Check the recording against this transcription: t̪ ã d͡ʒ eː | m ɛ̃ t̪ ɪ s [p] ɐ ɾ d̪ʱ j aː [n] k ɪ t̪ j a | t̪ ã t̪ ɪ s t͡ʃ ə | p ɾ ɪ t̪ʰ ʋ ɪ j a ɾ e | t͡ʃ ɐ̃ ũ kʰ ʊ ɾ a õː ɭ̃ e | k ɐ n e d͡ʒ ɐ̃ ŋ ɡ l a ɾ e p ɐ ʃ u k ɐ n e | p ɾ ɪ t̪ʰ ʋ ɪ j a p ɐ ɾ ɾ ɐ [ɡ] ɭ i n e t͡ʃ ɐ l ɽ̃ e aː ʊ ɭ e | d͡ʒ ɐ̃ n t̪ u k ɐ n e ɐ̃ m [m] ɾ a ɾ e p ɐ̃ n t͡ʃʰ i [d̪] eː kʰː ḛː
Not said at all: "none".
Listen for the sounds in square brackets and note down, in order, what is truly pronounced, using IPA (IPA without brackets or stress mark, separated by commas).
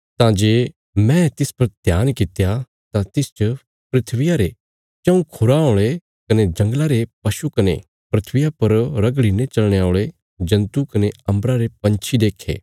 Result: p, n, ɡ, b, d̪